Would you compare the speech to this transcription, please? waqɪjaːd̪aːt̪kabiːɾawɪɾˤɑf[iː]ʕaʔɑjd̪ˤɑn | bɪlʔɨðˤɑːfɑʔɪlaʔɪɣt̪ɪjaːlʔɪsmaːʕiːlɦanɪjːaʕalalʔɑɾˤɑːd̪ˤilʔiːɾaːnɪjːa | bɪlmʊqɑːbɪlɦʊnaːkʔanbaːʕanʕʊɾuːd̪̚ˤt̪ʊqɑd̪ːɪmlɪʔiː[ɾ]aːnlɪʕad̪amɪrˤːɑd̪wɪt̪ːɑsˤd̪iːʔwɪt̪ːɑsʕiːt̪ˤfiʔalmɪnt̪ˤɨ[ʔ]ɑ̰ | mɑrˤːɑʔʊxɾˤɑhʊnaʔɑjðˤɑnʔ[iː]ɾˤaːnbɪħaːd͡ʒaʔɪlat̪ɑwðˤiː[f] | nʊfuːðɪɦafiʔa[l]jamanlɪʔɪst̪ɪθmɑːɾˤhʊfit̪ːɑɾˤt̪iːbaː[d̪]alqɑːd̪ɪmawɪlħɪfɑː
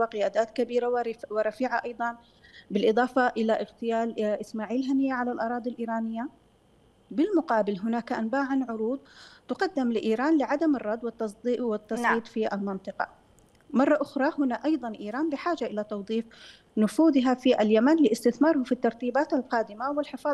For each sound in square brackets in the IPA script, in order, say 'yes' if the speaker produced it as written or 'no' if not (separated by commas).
yes, yes, no, yes, yes, yes, no